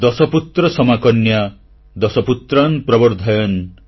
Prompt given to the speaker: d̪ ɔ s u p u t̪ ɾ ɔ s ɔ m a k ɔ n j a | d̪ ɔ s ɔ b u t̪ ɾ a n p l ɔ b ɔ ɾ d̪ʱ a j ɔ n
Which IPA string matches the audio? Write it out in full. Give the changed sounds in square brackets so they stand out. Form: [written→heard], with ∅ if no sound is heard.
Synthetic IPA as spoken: d̪ ɔ s [u→ɔ] p u t̪ ɾ ɔ s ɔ m a k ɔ n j a | d̪ ɔ s ɔ [b→p] u t̪ ɾ a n p [l→ɾ] ɔ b ɔ ɾ d̪ʱ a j ɔ n